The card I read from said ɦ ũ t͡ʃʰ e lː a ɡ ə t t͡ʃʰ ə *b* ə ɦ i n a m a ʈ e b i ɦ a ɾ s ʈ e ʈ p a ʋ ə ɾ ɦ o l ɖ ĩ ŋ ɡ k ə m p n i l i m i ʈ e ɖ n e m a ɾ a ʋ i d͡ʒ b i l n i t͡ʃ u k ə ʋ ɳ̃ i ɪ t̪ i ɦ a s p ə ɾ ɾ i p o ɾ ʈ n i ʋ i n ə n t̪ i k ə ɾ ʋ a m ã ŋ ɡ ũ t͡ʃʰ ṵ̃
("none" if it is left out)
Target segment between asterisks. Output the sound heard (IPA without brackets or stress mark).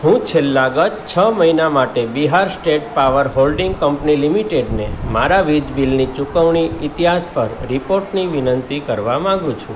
m